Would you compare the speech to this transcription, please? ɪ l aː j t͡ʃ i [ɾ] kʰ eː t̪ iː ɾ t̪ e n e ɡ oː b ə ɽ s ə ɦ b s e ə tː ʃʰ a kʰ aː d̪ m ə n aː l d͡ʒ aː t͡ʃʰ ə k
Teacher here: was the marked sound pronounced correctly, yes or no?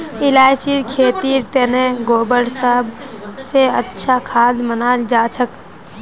yes